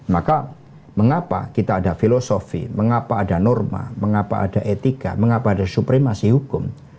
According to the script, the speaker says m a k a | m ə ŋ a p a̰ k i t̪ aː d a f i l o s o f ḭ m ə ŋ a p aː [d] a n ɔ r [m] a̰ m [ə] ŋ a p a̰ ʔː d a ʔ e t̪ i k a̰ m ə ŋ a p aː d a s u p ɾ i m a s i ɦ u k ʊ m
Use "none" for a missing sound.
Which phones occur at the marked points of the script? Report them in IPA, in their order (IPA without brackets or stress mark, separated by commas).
d, m, ə